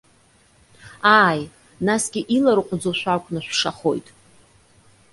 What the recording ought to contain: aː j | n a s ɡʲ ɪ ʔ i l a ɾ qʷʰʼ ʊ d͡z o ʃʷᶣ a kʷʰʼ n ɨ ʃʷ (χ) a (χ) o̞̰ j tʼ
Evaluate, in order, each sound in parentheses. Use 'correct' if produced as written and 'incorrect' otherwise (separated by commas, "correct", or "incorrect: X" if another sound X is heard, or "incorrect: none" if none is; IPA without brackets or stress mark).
incorrect: ʂ, correct